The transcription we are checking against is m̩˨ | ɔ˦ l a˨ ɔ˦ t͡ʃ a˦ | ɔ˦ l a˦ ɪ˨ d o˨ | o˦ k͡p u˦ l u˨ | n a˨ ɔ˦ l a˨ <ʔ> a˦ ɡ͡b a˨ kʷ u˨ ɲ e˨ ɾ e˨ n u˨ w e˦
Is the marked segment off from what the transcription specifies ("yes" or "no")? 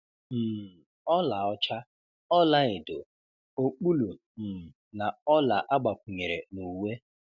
no